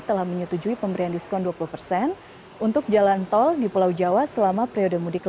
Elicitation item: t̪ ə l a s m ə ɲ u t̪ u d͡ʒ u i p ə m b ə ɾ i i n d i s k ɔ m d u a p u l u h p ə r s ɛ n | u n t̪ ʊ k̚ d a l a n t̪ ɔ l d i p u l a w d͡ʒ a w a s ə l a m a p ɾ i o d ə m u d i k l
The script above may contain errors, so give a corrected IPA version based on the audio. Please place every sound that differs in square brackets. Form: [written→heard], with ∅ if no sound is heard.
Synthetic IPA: t̪ ə l a [s→h] m ə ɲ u t̪ u d͡ʒ u i p ə m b ə ɾ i [i→a] n d i s k ɔ [m→n] d u a p u l u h p ə r s ɛ n | u n t̪ ʊ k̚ [d→d͡ʒ] a l a n t̪ ɔ l d i p u l a w d͡ʒ a w a s ə l a m a p ɾ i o d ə m u d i k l